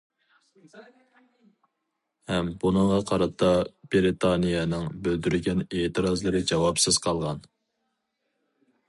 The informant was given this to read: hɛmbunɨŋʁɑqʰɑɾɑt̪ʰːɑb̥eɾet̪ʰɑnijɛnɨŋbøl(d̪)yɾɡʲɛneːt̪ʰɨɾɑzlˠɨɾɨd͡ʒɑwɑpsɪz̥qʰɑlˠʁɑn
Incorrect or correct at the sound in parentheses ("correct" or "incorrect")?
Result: correct